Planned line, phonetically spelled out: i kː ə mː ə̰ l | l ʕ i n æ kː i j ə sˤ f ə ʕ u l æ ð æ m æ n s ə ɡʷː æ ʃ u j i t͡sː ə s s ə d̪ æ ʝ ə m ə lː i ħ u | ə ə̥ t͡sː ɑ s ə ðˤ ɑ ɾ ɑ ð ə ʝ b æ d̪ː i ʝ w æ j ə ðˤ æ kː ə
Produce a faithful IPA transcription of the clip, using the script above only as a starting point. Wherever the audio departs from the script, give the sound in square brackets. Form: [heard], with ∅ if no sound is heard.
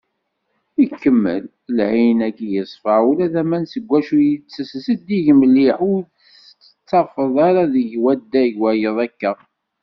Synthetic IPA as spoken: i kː ə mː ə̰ l | l ʕ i n æ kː i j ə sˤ f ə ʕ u l æ ð æ m æ n s ə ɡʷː æ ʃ u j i t͡sː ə s s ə d̪ [i] ʝ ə m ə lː i ħ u | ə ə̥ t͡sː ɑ [f] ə ðˤ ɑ ɾ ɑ ð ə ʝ [w] æ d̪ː [æ] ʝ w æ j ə ðˤ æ kː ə

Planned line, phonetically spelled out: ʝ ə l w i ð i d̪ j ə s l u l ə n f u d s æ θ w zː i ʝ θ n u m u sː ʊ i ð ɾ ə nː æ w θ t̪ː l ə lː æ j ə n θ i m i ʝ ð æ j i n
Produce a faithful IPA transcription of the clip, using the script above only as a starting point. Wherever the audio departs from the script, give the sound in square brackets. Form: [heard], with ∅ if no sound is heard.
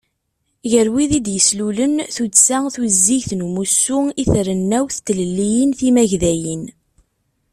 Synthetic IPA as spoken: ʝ ə [ɾ] w i ð i d̪ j ə s l u l ə n [θ] u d s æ θ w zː i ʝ θ n u m u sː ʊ i [θ] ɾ ə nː æ w θ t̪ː l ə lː [i] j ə n θ i m [æ] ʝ ð æ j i n

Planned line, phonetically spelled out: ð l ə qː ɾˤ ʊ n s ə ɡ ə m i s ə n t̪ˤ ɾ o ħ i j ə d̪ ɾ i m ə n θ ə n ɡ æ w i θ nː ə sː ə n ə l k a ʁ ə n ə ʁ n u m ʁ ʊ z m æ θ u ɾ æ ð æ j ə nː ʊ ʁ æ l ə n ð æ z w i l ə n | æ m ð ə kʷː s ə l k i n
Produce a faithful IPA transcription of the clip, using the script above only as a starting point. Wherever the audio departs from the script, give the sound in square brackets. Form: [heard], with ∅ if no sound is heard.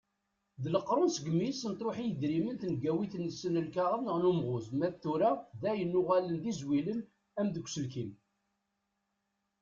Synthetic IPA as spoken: ð l ə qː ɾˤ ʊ n s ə ɡ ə m i s ə n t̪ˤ ɾ o ħ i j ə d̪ ɾ i m ə n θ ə n ɡ æ w i θ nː ə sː ə n ə l k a ʁ ə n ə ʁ n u m ʁ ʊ z m æ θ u ɾ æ ð æ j ə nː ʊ ʁ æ l ə n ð [i] z w i l ə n | æ m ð ə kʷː s ə l k i n

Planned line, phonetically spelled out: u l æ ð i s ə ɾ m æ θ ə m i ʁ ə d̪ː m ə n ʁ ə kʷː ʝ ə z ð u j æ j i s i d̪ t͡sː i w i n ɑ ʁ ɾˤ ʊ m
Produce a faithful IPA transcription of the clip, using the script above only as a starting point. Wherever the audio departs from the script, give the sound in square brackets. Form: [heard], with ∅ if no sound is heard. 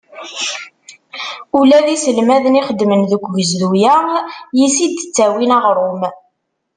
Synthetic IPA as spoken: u l æ ð i s ə [l] m æ [ð] ə [n] i [χ] ə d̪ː m ə n [ð] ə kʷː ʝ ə z ð u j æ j i s i d̪ t͡sː [æ] w i n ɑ ʁ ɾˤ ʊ m

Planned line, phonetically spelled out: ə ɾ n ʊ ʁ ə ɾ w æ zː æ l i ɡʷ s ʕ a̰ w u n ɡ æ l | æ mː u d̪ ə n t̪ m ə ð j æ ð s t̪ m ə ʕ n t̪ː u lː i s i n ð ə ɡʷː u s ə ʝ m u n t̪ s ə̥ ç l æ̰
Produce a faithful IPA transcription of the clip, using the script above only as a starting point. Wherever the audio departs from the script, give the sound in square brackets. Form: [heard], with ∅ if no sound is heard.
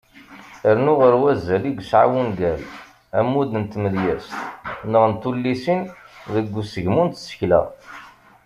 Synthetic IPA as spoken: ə ɾ n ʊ ʁ ə ɾ w æ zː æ l i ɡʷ s ʕ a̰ w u n ɡ æ l | æ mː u d̪ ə n t̪ m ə ð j æ [∅] s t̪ [n] ə [ʁ] n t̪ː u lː i s i n ð ə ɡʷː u s ə ʝ m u n t̪ s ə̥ ç l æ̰

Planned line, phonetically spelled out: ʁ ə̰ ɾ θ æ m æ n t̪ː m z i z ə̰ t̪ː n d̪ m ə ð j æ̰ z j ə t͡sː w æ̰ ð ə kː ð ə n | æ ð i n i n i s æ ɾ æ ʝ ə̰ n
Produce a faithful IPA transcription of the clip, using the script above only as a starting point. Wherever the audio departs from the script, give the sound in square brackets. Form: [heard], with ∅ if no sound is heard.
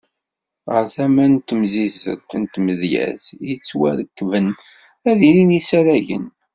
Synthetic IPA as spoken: ʁ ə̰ ɾ θ æ m æ n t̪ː m z i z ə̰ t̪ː n [t̪] m ə ð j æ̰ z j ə t͡sː w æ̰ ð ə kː [v] ə n | æ ð i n i n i s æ ɾ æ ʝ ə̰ n

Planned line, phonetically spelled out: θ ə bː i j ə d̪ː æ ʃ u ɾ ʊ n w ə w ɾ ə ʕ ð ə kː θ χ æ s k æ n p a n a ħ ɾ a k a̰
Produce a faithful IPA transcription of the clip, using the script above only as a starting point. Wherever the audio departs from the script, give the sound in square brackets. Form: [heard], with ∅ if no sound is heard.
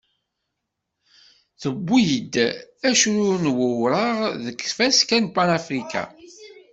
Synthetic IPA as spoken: θ ə bː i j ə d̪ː æ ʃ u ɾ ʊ n w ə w ɾ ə [ʁ] ð ə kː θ [f] æ s k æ n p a n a [f] ɾ [i] k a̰

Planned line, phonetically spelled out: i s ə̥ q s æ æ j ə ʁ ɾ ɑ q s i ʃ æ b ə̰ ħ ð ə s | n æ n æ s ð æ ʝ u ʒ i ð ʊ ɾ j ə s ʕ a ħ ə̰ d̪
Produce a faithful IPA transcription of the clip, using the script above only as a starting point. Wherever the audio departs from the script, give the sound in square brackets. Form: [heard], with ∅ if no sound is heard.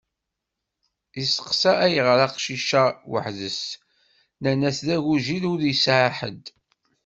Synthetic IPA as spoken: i s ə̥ q s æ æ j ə ʁ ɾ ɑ q [ʃ] i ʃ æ [w] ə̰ ħ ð ə s | n æ n æ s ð æ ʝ u ʒ i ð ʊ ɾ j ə s ʕ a ħ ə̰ d̪

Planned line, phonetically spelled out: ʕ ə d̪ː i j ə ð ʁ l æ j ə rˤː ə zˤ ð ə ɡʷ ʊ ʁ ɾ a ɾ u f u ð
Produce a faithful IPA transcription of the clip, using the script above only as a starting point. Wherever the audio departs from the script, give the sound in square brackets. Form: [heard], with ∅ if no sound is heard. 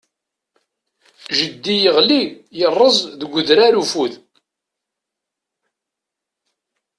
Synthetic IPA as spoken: [ʒ] ə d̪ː i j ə [∅] ʁ l [i] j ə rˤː ə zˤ ð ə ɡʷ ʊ [ð] ɾ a ɾ u f u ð

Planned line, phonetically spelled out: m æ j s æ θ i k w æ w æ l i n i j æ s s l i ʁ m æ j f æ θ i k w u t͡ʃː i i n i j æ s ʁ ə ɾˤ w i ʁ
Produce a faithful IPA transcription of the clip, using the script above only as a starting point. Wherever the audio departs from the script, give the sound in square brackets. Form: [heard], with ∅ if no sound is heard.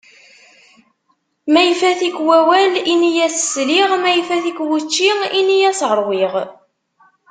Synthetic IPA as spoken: m æ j [f] æ θ i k w æ w æ l i n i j æ s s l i ʁ m æ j f æ θ i k w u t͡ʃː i i n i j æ s ʁ ə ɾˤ w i ʁ

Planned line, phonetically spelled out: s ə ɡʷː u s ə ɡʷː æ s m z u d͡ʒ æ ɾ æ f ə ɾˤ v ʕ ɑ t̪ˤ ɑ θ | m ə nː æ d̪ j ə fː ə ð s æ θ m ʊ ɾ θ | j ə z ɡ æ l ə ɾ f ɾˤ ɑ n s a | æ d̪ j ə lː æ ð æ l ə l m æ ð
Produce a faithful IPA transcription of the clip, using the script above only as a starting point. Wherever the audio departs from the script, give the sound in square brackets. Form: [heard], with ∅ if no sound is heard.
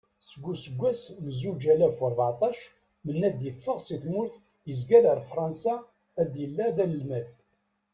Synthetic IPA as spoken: s ə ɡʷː u s ə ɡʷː æ s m z u d͡ʒ æ [l] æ f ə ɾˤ v ʕ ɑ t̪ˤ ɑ [ʃ] | m ə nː æ d̪ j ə fː ə [ʁ] s [i] θ m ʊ ɾ θ | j ə z ɡ æ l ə ɾ f ɾˤ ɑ n s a | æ d̪ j ə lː æ ð æ l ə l m æ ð

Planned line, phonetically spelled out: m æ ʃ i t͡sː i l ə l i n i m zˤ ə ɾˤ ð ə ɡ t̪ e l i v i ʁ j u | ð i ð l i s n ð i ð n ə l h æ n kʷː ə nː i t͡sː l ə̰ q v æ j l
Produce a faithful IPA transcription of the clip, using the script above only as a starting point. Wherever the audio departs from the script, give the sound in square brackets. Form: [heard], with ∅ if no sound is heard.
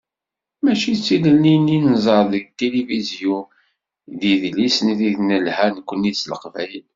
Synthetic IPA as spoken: m æ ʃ i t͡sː i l ə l i n i [n] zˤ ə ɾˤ ð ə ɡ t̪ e l i v i [z] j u | ð i ð l i s n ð i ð n ə l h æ n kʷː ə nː i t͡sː l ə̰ q v æ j l

